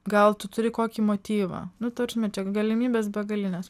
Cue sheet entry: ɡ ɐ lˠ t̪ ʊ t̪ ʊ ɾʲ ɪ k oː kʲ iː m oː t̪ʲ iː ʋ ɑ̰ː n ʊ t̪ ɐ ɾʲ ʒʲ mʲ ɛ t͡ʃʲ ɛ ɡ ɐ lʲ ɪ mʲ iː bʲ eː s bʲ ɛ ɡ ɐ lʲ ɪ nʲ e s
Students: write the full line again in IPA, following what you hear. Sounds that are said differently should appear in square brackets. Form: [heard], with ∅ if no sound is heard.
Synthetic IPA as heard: ɡ ɐ lˠ t̪ ʊ t̪ ʊ ɾʲ ɪ k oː kʲ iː m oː t̪ʲ iː ʋ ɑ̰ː n ʊ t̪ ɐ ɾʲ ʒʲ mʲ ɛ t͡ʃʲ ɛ ɡ ɐ lʲ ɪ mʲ iː bʲ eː s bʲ ɛ ɡ ɐ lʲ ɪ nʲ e s